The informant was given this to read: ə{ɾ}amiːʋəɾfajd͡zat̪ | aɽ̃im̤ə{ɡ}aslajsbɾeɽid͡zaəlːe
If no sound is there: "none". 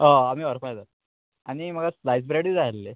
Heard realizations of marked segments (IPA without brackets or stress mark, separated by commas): none, ɡ